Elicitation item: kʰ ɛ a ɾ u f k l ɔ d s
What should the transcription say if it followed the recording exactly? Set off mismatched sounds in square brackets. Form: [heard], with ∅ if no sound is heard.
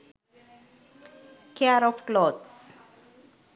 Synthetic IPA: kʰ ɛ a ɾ [ɔ] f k l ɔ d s